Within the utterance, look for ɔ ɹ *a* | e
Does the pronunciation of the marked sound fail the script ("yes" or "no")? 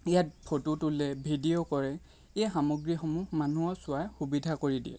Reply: yes